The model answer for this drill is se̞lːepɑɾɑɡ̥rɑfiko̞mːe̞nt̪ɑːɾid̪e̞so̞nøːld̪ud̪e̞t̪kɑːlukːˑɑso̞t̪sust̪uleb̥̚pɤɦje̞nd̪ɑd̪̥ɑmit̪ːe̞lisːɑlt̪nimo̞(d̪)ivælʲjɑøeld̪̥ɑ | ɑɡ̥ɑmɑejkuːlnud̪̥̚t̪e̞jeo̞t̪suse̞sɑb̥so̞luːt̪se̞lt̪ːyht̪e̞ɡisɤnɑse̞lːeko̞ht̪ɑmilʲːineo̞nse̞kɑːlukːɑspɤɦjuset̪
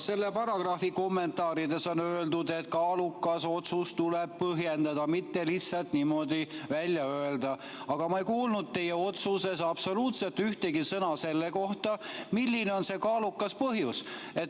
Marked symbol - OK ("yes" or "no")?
yes